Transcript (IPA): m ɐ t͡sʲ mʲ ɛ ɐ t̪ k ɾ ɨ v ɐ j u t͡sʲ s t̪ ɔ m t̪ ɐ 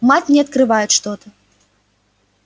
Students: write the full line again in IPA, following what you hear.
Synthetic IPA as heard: m a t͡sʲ nʲ ɛ ɐ t̪ k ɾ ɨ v a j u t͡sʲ ʂ t̪ ɔ t̪ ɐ

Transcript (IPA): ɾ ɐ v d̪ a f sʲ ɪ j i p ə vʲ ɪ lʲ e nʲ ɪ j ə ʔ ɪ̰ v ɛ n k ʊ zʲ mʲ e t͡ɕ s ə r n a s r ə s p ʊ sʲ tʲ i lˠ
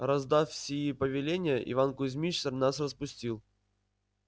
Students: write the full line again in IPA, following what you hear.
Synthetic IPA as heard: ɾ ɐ z d̪ a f sʲ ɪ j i p ə vʲ ɪ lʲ e nʲ ɪ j ə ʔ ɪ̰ v a n k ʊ zʲ mʲ i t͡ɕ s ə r n a s r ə s p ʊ sʲ tʲ i lˠ

